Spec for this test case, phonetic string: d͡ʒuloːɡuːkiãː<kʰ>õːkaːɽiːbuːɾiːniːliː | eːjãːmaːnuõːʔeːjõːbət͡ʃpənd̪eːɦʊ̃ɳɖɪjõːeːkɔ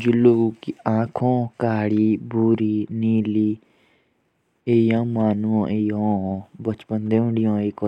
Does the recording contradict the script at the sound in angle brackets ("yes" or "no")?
no